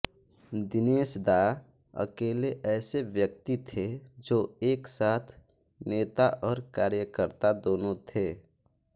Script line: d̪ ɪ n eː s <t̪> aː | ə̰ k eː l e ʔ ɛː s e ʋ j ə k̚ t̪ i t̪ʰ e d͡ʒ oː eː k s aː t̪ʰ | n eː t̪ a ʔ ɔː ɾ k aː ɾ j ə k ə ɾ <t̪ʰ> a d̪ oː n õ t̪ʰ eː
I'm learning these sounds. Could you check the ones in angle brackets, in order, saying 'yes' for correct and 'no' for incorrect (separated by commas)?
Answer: no, no